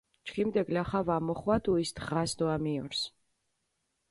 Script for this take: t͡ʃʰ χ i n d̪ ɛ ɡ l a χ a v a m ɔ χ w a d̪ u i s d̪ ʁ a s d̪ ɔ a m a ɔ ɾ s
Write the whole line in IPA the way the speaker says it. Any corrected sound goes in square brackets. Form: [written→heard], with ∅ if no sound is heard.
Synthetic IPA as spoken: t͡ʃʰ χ i [n→m] d̪ ɛ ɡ l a χ a v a m ɔ χ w a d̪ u i s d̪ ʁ a s d̪ ɔ a m [a→i] ɔ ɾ s

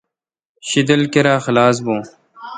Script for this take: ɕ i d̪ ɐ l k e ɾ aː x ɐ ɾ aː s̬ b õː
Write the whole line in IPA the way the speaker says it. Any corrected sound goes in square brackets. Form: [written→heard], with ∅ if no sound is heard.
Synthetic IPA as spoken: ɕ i d̪ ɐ l k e ɾ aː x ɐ [ɾ→l] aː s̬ b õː

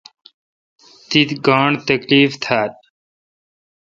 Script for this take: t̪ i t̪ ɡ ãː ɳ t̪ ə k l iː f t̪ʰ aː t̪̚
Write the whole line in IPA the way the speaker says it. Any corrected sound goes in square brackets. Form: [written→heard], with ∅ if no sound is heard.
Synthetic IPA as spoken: t̪ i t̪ ɡ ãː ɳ t̪ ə k l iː f t̪ʰ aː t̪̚

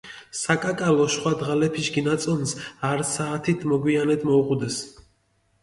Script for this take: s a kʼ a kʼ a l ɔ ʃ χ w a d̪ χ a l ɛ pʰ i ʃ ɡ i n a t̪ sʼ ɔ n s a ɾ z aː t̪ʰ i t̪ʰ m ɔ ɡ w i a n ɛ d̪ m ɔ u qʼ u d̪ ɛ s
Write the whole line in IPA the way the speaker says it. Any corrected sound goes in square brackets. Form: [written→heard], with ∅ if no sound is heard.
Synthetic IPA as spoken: s a kʼ a kʼ a l ɔ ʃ χ w a d̪ [χ→ʁ] a l ɛ pʰ i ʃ ɡ i n a t̪ sʼ ɔ n s a ɾ [z→s] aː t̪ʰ i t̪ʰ m ɔ ɡ w i a n ɛ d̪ m ɔ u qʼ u d̪ ɛ s

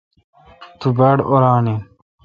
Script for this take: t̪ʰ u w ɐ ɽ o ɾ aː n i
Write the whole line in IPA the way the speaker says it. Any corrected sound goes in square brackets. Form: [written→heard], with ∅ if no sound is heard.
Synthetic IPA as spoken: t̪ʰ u [w→b] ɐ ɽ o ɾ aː n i

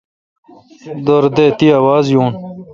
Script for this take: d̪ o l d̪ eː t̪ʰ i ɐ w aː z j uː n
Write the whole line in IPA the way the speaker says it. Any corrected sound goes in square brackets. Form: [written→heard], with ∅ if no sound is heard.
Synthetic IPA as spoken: d̪ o [l→ɾ] d̪ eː [t̪ʰ→t̪] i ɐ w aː z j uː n

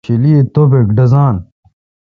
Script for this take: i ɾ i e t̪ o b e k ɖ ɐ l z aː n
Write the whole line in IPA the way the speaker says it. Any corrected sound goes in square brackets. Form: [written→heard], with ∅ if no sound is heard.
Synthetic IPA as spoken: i [ɾ→l] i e t̪ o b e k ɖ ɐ [l→∅] z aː n

